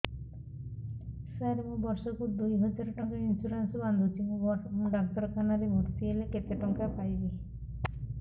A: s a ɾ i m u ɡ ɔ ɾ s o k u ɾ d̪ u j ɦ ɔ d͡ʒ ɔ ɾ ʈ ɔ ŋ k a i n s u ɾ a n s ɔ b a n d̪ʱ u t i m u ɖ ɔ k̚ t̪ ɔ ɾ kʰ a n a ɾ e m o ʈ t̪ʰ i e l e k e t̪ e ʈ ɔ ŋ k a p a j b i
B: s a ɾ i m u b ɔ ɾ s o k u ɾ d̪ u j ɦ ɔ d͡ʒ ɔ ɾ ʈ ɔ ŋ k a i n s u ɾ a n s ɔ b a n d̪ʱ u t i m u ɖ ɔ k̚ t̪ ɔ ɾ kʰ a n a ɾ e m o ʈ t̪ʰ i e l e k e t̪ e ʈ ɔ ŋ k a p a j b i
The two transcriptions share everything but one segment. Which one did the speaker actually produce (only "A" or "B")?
B